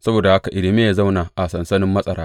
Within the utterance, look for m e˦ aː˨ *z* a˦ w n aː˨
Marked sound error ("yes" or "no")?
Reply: no